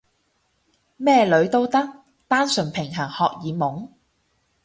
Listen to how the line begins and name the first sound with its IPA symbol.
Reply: m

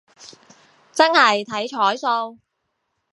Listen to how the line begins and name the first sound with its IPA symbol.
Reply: t͡s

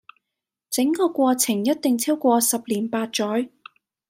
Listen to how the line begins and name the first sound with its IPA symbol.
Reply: t͡s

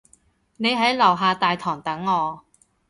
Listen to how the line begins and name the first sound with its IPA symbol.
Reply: n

